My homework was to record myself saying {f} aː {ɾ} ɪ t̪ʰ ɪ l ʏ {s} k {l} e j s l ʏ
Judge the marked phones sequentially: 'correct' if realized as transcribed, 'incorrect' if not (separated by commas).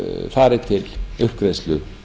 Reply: correct, correct, incorrect, incorrect